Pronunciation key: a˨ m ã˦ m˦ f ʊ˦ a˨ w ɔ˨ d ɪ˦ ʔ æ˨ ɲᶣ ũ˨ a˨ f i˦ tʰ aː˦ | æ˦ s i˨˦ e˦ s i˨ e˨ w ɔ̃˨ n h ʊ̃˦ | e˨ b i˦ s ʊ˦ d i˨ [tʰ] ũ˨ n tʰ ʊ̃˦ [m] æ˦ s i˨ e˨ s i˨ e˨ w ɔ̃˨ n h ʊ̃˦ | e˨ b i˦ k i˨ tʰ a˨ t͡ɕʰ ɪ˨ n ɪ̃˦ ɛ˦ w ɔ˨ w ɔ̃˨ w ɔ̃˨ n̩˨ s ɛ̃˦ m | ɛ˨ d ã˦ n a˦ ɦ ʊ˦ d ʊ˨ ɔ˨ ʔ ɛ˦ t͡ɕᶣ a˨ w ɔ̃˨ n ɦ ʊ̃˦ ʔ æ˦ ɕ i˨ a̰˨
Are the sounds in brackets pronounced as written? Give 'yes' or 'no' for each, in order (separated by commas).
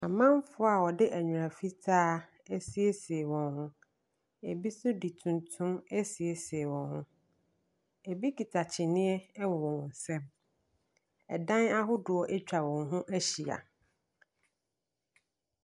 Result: yes, yes